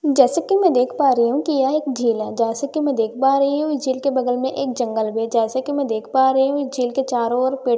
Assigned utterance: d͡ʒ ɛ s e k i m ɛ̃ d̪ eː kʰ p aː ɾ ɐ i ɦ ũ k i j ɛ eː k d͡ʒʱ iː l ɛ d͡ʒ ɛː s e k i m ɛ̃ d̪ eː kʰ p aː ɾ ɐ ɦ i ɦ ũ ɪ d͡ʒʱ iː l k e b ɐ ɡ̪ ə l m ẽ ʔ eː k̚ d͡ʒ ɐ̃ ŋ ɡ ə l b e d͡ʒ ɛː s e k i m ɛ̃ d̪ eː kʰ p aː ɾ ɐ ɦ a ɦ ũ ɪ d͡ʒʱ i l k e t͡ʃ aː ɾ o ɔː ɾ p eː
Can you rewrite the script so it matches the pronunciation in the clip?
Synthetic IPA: d͡ʒ ɛː s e k i m ɛ̃ d̪ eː kʰ p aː ɾ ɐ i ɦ ũ k i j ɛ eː k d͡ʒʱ iː l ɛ d͡ʒ ɛː s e k i m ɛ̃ d̪ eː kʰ p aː ɾ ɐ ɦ i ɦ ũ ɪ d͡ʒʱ iː l k e b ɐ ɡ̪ ə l m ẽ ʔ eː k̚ d͡ʒ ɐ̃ ŋ ɡ ə l b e d͡ʒ ɛː s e k i m ɛ̃ d̪ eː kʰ p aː ɾ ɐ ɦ i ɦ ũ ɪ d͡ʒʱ iː l k e t͡ʃ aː ɾ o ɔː ɾ p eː